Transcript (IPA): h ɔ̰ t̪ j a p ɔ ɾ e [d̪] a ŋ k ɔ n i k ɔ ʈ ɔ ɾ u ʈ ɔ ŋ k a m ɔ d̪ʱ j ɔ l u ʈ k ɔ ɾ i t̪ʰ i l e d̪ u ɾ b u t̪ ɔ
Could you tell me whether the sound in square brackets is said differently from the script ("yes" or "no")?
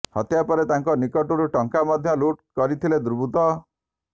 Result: yes